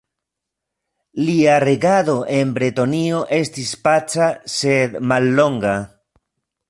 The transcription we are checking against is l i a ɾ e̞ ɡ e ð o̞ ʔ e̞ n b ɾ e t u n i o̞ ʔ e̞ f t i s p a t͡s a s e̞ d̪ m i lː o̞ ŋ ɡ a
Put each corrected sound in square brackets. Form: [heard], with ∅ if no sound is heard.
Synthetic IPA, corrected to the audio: l i a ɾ e̞ ɡ [a] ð o̞ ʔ e̞ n b ɾ e t [o] n i o̞ ʔ e̞ [s] t i s p a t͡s a s e̞ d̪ m [a] lː o̞ ŋ ɡ a

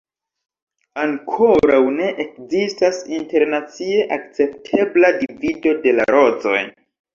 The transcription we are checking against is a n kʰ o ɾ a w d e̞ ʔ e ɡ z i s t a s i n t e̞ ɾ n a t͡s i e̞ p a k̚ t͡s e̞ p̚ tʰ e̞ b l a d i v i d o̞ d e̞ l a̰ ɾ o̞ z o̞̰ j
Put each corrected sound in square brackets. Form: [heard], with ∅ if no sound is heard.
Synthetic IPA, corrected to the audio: a [ŋ] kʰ o ɾ a w [n] e̞ ʔ e [k] z i s t a s i n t e̞ ɾ n a t͡s i e̞ [ʔ] a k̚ t͡s e̞ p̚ tʰ e̞ b l a d i v i d o̞ d e̞ l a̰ ɾ o̞ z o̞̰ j

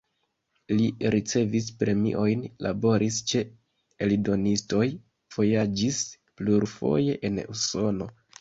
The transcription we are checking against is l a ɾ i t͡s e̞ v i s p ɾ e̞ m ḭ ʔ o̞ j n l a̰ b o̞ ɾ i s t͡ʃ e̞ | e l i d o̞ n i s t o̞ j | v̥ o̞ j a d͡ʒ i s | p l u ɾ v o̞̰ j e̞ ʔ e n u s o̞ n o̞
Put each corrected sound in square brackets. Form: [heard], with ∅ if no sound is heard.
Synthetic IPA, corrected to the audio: l [i] ɾ i t͡s e̞ v i s p ɾ e̞ m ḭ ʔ o̞ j n l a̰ b o̞ ɾ i s t͡ʃ e̞ | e l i d o̞ n i s t o̞ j | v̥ o̞ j a d͡ʒ i s | p l u ɾ [f] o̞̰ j e̞ ʔ e n u s o̞ n o̞

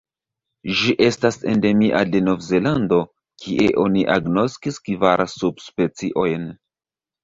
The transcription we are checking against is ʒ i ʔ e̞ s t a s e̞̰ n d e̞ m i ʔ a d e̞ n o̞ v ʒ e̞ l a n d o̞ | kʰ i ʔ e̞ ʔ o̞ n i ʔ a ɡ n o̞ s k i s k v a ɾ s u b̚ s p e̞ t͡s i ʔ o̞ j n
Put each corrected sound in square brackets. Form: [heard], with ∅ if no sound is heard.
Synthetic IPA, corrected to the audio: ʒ i ʔ e̞ s t a s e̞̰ n d e̞ m i ʔ a d e̞ n o̞ v [z] e̞ l a n d o̞ | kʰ i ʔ e̞ ʔ o̞ n i ʔ a ɡ n o̞ s k i s k v a ɾ s u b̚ s p e̞ t͡s i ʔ o̞ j n

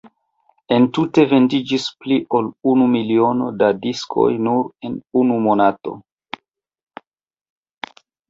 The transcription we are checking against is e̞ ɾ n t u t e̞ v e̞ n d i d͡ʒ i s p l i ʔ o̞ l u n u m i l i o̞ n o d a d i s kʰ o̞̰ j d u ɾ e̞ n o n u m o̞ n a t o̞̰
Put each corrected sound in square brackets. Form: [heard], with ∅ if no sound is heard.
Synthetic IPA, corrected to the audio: e̞ [∅] n t u t e̞ v e̞ n d i d͡ʒ i s p l i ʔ o̞ l u n u m i l i o̞ n o d a d i s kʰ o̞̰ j [n] u ɾ e̞ n [u] n u m o̞ n a t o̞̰

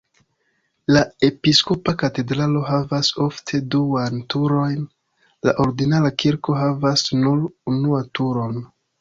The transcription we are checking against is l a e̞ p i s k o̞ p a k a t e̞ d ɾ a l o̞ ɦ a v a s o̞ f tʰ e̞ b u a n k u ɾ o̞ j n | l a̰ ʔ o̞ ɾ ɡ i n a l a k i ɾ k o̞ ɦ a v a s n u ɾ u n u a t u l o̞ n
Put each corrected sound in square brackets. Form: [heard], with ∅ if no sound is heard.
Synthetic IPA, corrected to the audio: l a e̞ p i s k o̞ p a k a t e̞ d ɾ a l o̞ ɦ a v a s o̞ f tʰ e̞ [d] u a n [t] u ɾ o̞ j n | l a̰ ʔ o̞ ɾ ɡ i n a l a k i ɾ k o̞ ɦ a v a s n u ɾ u n u a t u [ɾ] o̞ n

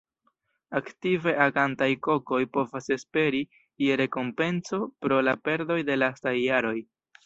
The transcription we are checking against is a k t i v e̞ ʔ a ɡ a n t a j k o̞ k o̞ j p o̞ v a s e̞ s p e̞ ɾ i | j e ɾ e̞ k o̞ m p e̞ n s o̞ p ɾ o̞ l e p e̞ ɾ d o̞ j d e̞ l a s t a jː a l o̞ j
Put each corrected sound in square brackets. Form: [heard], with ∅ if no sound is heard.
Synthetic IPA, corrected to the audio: a k t i v e̞ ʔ a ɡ a n t a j k o̞ k o̞ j p o̞ v a s e̞ s p e̞ ɾ i | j e ɾ e̞ k o̞ m p e̞ n s o̞ p ɾ o̞ l [a] p e̞ ɾ d o̞ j d e̞ l a s t a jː a [ɾ] o̞ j

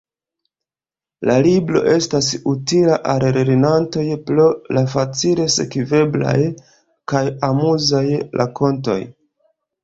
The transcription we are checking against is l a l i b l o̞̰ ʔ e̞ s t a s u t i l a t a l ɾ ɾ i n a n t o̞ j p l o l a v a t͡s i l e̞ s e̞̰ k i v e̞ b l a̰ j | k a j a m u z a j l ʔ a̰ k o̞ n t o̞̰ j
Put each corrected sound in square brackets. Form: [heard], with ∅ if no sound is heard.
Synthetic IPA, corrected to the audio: l a l i b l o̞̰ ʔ e̞ s t a s u t i l a [ʔ] a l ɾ ɾ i n a n t o̞ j p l o l a [f] a t͡s i l e̞ s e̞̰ k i v e̞ b l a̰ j | k a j a m u z a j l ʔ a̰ k o̞ n t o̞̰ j

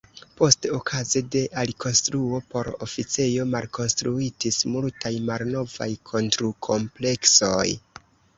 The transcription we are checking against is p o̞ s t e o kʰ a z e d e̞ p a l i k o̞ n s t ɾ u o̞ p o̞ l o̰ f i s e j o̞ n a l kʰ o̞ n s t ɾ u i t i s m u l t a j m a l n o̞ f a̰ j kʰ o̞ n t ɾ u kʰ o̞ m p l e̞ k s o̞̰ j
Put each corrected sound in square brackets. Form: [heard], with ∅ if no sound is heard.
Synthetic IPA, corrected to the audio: p o̞ s t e o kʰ a z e d e̞ [ʔ] a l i k o̞ n s t ɾ u o̞ p o̞ [ɾ] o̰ f i [t͡s] e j o̞ [m] a l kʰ o̞ n s t ɾ u i t i s m u l t a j m a l n o̞ [v] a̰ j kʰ o̞ n t ɾ u kʰ o̞ m p l e̞ k s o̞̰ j

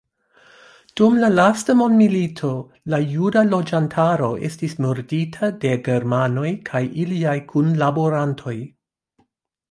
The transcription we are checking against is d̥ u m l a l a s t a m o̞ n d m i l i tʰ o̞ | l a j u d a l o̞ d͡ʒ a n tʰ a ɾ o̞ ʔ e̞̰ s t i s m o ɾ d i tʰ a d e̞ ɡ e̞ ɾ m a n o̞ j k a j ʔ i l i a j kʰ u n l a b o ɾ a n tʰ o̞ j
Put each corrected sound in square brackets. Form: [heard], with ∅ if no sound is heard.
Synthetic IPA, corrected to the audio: d̥ u m l a l a s t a m o̞ n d m i l i tʰ o̞ | l a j u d a l o̞ d͡ʒ a n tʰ a ɾ o̞ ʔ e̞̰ s t i s m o ɾ d i tʰ a d e̞ ɡ e̞ ɾ m a n o̞ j [kʰ] a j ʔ i l i a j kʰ u n l a b o ɾ a n tʰ o̞ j

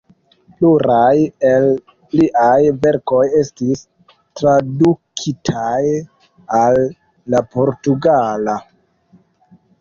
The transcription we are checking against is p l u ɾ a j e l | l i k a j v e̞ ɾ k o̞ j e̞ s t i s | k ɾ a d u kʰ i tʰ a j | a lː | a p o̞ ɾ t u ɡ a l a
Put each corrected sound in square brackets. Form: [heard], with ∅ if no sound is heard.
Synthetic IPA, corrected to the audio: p l u ɾ a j e l | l i [ʔ] a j v e̞ ɾ k o̞ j e̞ s t i s | [t] ɾ a d u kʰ i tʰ a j | a lː | a p o̞ ɾ t u ɡ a l a

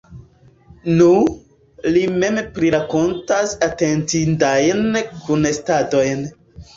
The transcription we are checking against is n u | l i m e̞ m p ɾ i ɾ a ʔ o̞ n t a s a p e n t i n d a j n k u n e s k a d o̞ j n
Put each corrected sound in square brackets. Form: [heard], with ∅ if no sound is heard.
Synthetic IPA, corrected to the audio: n u | l i m e̞ m p ɾ i ɾ a [k] o̞ n t a s a [t] e n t i n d a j n k u n e s [t] a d o̞ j n

